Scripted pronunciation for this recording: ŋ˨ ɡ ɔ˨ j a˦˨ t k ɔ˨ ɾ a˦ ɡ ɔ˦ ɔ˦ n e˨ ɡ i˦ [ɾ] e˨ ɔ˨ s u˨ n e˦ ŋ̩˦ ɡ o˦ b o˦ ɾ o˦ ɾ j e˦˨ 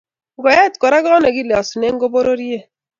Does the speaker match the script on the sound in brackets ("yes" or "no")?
no